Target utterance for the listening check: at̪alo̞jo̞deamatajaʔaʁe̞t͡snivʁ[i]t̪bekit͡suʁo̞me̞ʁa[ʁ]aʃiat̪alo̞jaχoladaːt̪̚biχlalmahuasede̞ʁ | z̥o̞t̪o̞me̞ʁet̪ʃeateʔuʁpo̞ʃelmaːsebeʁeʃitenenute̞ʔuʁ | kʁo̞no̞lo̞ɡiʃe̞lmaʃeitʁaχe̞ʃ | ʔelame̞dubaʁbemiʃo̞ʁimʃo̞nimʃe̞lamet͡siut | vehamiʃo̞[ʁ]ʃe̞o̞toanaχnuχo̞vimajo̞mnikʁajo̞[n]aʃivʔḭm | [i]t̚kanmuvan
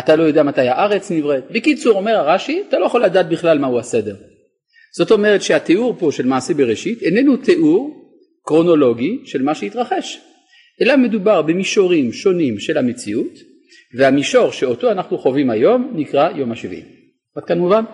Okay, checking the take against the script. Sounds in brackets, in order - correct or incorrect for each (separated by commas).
incorrect, correct, correct, incorrect, incorrect